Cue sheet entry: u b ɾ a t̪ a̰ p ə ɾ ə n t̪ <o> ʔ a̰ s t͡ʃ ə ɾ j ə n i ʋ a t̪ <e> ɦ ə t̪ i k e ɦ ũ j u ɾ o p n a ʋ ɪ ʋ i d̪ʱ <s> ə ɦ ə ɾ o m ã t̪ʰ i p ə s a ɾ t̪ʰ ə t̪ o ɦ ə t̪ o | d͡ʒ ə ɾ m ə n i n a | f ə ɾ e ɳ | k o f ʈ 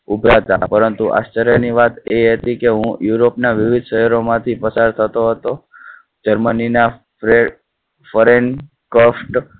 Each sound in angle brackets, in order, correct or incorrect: incorrect: u, correct, incorrect: ʃ

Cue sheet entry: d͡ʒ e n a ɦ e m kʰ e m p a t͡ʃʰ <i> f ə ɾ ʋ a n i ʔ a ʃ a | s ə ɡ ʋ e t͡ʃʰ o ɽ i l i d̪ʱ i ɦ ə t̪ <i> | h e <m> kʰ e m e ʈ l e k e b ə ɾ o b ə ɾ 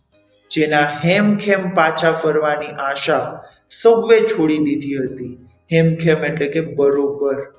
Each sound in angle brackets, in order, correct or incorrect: incorrect: a, correct, correct

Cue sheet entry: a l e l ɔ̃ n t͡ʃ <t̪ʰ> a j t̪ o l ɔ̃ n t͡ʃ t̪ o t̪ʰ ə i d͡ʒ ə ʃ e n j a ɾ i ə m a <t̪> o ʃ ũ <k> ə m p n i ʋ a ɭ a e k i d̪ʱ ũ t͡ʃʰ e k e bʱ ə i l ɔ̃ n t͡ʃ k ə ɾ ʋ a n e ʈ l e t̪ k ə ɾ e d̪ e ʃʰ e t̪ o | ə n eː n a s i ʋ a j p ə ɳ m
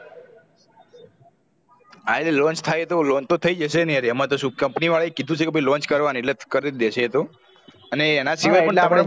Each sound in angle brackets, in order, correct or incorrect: correct, correct, correct

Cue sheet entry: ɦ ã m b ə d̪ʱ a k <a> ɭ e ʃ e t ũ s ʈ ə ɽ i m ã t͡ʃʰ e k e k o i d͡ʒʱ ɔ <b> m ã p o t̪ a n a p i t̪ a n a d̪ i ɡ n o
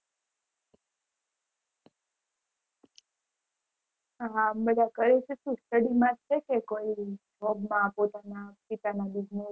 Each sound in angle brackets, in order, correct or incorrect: incorrect: ə, correct

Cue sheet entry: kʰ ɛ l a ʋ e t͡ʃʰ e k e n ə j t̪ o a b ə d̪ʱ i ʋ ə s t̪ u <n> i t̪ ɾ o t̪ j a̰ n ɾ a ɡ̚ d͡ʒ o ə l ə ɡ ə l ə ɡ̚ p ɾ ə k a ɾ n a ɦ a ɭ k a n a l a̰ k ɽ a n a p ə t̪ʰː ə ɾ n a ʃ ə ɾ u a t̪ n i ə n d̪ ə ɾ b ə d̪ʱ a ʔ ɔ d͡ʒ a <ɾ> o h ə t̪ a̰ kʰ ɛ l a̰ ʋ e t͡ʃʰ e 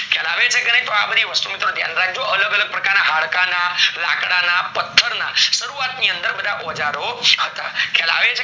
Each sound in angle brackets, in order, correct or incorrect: incorrect: m, correct

